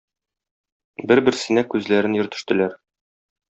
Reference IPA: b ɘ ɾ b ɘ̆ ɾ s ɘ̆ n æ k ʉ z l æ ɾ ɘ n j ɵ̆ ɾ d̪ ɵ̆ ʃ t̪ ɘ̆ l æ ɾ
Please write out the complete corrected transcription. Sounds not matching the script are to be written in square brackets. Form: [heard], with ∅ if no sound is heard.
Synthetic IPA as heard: b ɘ ɾ b ɘ̆ ɾ s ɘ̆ n æ k ʉ z l æ ɾ ɘ n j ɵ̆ ɾ [t̪] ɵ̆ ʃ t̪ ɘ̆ l æ ɾ